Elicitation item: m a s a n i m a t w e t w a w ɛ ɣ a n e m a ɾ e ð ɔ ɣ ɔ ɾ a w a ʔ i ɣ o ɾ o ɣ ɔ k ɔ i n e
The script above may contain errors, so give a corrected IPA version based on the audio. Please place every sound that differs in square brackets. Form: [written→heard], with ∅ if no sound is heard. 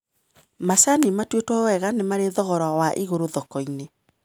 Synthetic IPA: m a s a n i m a t w e t w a w ɛ ɣ a n e m a ɾ e ð ɔ ɣ ɔ ɾ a w a ʔ i ɣ o ɾ o [ɣ→ð] ɔ k ɔ i n e